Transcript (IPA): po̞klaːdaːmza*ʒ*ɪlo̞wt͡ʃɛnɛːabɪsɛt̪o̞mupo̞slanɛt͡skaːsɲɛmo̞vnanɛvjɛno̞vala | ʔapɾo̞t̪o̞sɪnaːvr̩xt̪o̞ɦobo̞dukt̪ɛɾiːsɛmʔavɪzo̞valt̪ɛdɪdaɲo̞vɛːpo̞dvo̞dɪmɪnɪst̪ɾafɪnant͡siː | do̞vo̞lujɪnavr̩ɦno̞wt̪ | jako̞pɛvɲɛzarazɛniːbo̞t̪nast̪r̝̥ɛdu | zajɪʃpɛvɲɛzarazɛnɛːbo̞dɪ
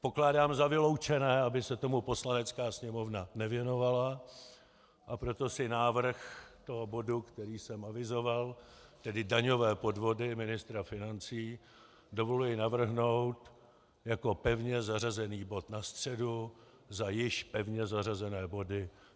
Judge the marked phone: incorrect: v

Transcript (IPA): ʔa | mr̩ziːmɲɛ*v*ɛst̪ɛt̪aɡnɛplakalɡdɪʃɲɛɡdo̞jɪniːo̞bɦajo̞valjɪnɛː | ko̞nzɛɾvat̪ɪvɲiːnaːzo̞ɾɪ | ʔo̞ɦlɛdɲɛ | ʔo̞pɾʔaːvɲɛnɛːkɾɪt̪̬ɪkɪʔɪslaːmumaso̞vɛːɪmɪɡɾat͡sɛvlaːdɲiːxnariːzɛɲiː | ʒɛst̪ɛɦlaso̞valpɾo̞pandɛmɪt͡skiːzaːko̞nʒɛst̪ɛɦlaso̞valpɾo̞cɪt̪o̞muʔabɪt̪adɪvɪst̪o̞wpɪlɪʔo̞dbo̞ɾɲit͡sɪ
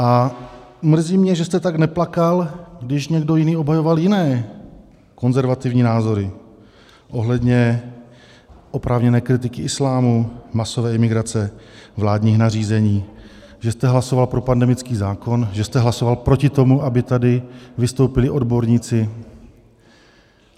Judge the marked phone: incorrect: ʒ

